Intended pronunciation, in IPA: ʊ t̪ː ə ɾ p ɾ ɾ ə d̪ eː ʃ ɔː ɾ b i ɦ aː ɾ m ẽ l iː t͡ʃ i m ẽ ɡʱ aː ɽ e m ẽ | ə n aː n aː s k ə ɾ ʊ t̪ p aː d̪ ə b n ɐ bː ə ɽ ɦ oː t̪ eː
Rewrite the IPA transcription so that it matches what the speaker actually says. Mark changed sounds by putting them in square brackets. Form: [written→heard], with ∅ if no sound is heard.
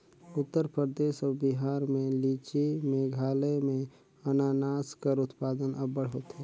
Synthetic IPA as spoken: ʊ t̪ː ə ɾ p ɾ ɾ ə d̪ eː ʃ ɔː ɾ b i ɦ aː ɾ m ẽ l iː t͡ʃ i m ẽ ɡʱ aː [ɽ→l] e m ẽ | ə n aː n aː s k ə ɾ ʊ t̪ p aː d̪ ə [b→∅] n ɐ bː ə ɽ ɦ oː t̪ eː